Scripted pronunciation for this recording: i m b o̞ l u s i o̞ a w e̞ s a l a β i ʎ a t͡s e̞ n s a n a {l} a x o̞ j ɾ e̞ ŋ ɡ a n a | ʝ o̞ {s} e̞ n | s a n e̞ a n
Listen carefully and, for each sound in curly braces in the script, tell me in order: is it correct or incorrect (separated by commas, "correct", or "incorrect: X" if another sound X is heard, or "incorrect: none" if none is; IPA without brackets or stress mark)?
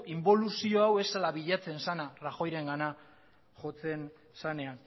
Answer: incorrect: r, incorrect: t͡s